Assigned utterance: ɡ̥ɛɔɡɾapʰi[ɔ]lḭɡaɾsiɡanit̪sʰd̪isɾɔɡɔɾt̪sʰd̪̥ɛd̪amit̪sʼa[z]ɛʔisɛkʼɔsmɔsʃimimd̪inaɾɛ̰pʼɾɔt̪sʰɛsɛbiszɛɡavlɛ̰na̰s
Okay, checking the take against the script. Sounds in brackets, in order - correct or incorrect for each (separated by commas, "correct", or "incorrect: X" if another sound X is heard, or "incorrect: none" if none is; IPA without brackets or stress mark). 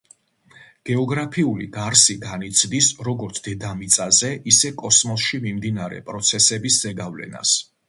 incorrect: u, correct